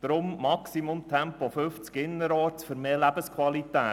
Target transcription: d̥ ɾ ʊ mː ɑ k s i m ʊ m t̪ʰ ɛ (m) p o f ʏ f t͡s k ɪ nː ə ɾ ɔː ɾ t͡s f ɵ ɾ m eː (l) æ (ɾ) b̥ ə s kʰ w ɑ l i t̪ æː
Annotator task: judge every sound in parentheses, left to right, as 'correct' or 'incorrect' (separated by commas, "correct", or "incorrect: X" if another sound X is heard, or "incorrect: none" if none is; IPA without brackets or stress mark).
correct, correct, incorrect: none